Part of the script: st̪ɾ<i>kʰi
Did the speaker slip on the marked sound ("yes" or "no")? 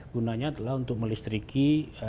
no